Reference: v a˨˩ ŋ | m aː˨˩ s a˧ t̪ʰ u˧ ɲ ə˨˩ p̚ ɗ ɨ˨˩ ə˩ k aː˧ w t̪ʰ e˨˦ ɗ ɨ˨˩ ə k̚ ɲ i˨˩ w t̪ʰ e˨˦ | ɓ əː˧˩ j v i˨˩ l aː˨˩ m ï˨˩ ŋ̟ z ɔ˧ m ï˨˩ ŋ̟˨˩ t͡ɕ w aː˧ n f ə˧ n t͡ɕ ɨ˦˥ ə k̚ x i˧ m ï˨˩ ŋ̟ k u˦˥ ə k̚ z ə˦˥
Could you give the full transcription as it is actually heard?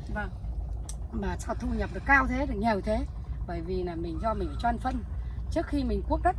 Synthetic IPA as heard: v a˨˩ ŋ | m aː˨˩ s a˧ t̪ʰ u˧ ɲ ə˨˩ p̚ ɗ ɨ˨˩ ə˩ k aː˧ w t̪ʰ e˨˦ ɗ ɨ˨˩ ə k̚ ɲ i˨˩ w t̪ʰ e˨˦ | ɓ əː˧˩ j v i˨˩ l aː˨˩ m ï˨˩ ŋ̟ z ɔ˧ m ï˨˩ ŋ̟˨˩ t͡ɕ w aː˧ n f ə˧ n t͡ɕ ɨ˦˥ ə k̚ x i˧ m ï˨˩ ŋ̟ k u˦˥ ə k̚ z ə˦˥